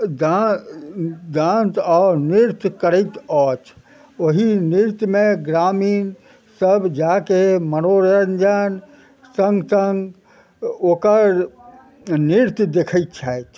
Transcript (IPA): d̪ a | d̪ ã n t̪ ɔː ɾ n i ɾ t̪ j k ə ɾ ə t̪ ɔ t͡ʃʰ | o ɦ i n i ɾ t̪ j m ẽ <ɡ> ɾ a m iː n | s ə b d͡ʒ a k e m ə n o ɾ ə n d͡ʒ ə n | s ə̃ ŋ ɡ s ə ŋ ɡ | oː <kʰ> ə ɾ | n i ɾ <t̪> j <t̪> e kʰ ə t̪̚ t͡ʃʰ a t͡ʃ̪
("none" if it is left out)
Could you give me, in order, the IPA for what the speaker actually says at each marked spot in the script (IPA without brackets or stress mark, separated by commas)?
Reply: ɡ, k, t̪, d̪